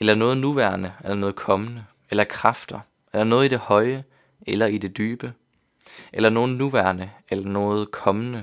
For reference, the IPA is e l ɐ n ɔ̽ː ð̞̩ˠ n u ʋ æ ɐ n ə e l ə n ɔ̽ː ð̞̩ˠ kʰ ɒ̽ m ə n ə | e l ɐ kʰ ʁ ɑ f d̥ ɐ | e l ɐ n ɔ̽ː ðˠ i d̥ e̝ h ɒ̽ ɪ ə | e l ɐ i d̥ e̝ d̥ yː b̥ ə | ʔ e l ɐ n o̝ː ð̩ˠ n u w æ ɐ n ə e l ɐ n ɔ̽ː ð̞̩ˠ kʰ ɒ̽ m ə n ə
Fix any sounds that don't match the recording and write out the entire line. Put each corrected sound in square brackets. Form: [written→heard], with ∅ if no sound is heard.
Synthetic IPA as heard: e l ɐ n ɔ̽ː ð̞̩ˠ n u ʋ æ ɐ n ə e l [ə→ɐ] n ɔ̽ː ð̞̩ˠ kʰ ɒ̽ m ə n ə | e l ɐ kʰ ʁ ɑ f d̥ ɐ | e l ɐ n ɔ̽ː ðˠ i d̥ e̝ h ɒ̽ ɪ ə | e l ɐ i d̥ e̝ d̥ yː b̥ ə | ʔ e l ɐ n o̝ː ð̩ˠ n u [w→ʋ] æ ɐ n ə e l ɐ n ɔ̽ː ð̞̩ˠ kʰ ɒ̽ m ə n ə